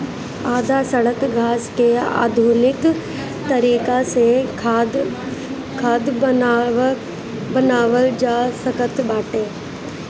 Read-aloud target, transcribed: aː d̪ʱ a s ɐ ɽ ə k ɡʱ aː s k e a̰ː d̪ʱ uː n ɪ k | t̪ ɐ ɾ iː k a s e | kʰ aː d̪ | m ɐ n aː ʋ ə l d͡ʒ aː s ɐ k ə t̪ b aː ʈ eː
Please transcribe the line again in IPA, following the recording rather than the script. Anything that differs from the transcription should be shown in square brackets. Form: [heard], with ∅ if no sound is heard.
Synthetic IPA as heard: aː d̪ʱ a s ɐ ɽ ə k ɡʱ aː s k e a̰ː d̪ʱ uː n ɪ k | t̪ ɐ ɾ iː k a s e | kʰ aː d̪ | [b] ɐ n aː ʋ ə l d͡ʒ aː s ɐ k ə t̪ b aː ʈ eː

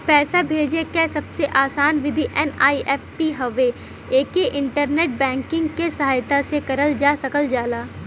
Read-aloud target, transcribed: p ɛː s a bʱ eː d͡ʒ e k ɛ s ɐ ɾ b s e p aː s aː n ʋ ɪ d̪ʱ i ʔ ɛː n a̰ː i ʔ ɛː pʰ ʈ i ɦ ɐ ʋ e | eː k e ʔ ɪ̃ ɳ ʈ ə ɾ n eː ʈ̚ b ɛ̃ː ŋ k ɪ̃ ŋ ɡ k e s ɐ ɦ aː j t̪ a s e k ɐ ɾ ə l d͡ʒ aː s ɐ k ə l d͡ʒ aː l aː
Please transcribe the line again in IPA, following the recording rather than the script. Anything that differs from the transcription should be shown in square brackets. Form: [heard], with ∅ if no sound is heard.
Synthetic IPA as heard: p ɛː s a bʱ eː d͡ʒ e k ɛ s ɐ [∅] b s e [ʔ] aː s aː n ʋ ɪ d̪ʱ i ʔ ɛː n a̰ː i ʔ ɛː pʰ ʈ i ɦ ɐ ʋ e | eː k e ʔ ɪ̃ ɳ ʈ ə ɾ n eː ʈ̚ b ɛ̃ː ŋ k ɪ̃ ŋ ɡ k e s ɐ ɦ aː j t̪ a s e k ɐ ɾ ə l d͡ʒ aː s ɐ k ə l d͡ʒ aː l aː

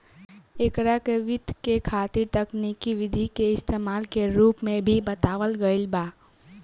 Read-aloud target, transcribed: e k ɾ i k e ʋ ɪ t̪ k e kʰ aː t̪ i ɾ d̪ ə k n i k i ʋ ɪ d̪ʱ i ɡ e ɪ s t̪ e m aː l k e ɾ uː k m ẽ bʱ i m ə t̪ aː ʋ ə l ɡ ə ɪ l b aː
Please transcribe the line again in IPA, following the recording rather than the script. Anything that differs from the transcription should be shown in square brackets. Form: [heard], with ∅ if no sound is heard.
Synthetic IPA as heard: e k ɾ [a] k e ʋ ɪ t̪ k e kʰ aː t̪ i ɾ [t̪] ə k n i k i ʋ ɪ d̪ʱ i [k] e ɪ s t̪ e m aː l k e ɾ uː [p] m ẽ bʱ i [b] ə t̪ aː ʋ ə l ɡ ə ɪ l b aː

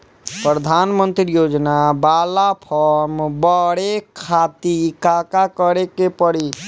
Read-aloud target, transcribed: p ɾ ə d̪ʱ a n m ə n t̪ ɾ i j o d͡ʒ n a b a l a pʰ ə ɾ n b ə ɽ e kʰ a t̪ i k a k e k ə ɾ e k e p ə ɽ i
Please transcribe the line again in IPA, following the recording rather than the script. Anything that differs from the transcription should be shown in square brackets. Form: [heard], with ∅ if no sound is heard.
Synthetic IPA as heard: p ɾ ə d̪ʱ a n m ə n t̪ ɾ i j o d͡ʒ n a b a l a pʰ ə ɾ [m] b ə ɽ e kʰ a t̪ i k a k [a] k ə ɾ e k e p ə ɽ i

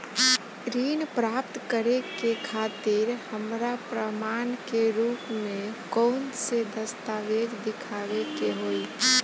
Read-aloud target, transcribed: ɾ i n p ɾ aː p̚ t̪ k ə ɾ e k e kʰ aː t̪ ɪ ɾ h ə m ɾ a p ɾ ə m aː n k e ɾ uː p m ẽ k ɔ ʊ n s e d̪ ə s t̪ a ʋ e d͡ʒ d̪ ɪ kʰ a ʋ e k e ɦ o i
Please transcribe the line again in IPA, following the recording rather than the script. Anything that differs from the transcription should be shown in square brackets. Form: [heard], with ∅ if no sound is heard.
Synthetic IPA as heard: ɾ i n p ɾ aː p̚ t̪ k ə ɾ e k e kʰ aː t̪ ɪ ɾ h ə m ɾ a p ɾ ə m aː n k e ɾ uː p m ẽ k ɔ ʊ n s e d̪ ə s t̪ a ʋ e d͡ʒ d̪ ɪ kʰ a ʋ e k e ɦ o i

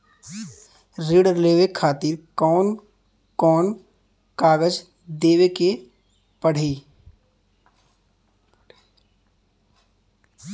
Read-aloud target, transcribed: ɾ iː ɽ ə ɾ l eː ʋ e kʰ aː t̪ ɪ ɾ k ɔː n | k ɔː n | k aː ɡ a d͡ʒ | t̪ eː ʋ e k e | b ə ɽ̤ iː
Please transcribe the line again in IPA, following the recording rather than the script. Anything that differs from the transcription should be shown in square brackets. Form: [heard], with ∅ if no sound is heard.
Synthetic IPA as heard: ɾ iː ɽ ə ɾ l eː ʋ e kʰ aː t̪ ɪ ɾ k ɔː n | k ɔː n | k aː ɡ [ə] d͡ʒ | [d̪] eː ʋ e k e | [p] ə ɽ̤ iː

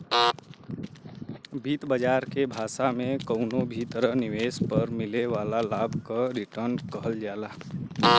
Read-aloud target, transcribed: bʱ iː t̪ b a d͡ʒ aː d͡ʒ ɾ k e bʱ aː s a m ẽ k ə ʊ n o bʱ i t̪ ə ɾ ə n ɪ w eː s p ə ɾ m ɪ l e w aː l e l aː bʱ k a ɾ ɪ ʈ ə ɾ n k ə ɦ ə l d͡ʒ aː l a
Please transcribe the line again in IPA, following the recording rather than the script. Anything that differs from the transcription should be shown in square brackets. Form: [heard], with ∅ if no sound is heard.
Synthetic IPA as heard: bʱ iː t̪ b [ə] d͡ʒ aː [∅] ɾ k e bʱ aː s a m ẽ k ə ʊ n o bʱ i t̪ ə ɾ ə n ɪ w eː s p ə ɾ m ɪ l e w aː l [a] l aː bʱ k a ɾ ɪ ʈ ə ɾ n k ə ɦ ə l d͡ʒ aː l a

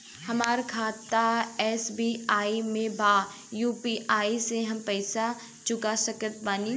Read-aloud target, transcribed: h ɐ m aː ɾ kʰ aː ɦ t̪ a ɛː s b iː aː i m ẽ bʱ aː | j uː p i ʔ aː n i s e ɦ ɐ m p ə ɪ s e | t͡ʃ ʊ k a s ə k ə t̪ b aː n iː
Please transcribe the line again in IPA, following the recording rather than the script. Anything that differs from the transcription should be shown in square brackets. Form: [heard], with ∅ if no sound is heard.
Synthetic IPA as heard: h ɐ m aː ɾ kʰ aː [∅] t̪ a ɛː s b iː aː i m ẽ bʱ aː | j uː p i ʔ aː [∅] i s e ɦ ɐ m p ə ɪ s [a] | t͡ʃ ʊ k a s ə k ə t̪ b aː n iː

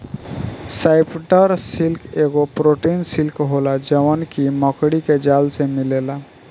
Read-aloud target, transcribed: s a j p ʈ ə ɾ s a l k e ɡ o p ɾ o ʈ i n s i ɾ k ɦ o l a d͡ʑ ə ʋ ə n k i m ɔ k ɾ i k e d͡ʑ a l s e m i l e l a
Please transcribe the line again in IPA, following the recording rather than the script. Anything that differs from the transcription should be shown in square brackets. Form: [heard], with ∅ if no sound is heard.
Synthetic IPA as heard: s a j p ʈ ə ɾ s [i] l k e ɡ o p ɾ o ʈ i n s i [l] k ɦ o l a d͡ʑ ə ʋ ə n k i m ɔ k [ɽ] i k e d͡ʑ a l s e m i l e l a

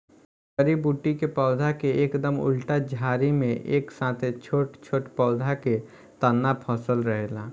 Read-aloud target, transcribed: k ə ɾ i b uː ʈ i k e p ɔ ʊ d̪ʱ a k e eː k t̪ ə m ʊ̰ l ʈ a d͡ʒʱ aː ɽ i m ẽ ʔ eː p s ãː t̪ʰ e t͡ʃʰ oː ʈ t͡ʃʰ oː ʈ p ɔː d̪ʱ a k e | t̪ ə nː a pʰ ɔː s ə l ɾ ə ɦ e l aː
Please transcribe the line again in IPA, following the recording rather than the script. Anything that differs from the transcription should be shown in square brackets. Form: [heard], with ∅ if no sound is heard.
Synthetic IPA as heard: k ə ɾ i b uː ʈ i k e p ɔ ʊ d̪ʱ a k e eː k [d̪] ə m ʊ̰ l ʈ a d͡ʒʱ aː [ɾ] i m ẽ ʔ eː [k] s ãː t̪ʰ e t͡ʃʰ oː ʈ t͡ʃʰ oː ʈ p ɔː d̪ʱ a k e | t̪ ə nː a pʰ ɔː s ə l ɾ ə ɦ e l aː

